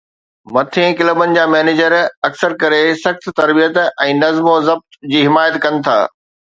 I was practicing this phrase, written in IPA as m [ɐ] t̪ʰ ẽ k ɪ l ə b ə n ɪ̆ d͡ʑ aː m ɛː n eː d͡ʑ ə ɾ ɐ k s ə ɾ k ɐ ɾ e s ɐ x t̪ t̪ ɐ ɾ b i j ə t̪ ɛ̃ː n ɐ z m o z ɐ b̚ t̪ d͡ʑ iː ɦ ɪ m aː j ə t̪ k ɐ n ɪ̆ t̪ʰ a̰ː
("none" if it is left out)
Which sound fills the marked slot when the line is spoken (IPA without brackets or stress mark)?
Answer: ɐ